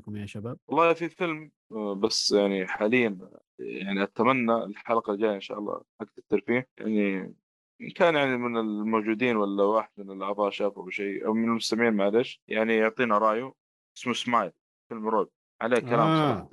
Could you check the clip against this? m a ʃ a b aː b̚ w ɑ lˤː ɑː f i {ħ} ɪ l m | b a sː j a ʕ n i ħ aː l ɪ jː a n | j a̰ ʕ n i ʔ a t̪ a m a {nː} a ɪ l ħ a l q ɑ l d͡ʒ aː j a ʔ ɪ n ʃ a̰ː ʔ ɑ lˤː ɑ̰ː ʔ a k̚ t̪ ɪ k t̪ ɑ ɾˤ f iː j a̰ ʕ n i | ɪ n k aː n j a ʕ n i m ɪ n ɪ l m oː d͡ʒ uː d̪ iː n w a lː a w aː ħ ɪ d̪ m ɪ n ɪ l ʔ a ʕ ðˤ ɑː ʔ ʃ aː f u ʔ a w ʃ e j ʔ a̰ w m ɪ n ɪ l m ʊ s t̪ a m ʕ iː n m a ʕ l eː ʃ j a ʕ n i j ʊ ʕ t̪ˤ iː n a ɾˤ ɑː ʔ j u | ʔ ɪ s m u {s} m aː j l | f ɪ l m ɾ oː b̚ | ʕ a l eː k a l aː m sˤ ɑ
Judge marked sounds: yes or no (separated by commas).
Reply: no, yes, yes